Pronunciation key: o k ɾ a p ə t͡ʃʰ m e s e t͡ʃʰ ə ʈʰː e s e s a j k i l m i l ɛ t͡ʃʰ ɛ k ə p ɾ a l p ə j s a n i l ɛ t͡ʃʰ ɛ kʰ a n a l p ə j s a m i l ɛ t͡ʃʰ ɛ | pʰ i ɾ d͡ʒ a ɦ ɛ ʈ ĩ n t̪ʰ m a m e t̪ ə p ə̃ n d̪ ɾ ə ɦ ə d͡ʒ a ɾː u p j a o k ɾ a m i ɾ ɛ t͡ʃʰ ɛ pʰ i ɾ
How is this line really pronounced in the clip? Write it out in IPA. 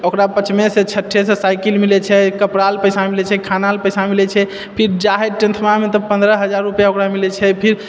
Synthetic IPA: o k ɾ a p ə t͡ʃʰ m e s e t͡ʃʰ ə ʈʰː e s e s a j k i l m i l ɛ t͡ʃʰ ɛ k ə p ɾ a l p ə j s a m i l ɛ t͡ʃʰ ɛ kʰ a n a l p ə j s a m i l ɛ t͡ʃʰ ɛ | pʰ i ɾ d͡ʒ a ɦ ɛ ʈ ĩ n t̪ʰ m a m e t̪ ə p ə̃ n d̪ ɾ ə ɦ ə d͡ʒ a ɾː u p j a o k ɾ a m i l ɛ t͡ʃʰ ɛ pʰ i ɾ